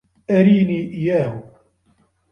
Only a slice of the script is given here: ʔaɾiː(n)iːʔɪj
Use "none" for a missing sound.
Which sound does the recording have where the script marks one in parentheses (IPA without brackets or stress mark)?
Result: n